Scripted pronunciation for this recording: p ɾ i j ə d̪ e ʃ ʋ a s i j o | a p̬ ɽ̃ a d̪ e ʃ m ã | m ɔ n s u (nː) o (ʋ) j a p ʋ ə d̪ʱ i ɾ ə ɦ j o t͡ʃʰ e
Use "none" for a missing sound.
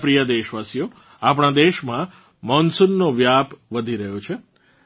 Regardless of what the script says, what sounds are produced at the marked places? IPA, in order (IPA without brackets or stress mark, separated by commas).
nː, ʋ